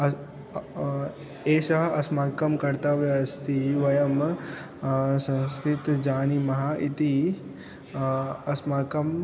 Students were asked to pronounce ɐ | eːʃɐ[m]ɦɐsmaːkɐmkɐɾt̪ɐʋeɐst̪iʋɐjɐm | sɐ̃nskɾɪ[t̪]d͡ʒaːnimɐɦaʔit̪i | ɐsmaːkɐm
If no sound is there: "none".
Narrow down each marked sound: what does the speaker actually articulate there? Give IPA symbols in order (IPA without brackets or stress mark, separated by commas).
none, t̪